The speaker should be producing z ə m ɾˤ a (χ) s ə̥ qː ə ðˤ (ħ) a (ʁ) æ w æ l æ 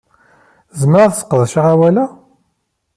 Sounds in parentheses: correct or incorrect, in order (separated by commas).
incorrect, incorrect, correct